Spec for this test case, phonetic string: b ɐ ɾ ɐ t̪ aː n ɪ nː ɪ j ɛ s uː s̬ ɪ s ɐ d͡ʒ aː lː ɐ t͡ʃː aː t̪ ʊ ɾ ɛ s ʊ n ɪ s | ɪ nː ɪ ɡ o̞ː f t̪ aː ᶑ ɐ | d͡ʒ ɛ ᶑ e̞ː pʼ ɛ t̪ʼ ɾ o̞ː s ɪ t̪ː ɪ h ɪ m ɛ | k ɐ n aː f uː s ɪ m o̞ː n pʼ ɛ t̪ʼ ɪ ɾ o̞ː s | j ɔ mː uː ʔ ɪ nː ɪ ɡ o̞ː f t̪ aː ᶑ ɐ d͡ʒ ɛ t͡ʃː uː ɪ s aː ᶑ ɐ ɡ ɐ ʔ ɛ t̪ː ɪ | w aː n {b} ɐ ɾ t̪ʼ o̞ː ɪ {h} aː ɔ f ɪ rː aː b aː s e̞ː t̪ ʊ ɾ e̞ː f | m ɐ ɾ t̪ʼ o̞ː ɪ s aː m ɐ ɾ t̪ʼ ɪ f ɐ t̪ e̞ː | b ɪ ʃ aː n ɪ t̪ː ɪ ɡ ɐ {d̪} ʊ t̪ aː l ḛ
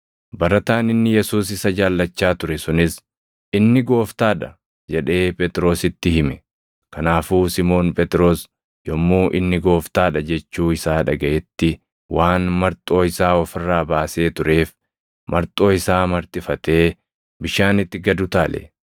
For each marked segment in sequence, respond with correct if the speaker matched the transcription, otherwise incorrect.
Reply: incorrect, incorrect, correct

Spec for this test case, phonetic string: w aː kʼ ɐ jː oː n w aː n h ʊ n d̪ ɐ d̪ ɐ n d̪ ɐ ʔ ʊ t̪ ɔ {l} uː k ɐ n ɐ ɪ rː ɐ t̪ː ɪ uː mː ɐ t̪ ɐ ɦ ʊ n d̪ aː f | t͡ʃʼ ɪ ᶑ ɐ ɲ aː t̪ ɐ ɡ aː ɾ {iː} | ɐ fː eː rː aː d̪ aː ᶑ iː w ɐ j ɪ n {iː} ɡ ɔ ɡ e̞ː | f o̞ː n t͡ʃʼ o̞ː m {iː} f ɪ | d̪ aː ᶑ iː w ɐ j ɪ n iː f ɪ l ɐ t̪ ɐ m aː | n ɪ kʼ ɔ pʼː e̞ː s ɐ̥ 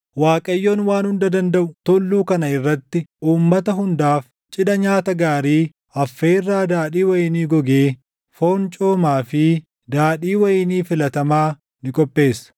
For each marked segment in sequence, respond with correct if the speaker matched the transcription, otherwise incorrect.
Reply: incorrect, correct, correct, incorrect

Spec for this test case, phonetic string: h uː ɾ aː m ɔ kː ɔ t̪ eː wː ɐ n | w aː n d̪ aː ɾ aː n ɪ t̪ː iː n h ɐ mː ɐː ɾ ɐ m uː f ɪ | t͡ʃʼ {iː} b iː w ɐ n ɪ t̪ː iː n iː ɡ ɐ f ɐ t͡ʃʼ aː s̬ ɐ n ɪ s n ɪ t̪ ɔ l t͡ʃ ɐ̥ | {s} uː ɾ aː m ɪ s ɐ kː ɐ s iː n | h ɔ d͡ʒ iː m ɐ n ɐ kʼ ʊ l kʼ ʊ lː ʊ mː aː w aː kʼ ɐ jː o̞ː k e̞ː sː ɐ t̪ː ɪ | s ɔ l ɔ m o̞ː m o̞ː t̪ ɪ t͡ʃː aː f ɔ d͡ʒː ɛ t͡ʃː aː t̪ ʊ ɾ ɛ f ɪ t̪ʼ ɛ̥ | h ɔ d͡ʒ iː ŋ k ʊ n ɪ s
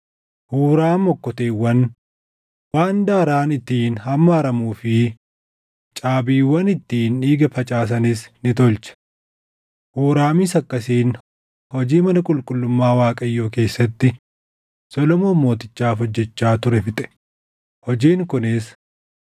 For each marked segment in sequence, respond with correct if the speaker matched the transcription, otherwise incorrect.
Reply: incorrect, incorrect

